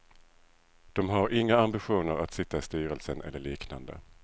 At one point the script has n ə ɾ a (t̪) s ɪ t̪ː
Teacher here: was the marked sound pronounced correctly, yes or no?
yes